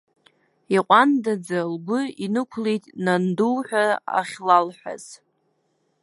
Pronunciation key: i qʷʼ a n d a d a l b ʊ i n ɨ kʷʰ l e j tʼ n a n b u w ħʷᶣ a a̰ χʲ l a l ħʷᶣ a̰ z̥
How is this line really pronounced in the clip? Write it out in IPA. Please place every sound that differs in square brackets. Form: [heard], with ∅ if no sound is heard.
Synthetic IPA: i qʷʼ a n d a [d͡z] a l b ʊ i n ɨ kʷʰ l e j tʼ n a n [d] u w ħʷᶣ a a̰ χʲ l a l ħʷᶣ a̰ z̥